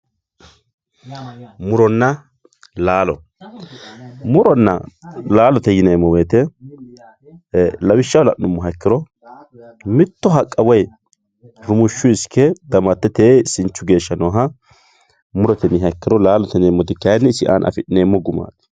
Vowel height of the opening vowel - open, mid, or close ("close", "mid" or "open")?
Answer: close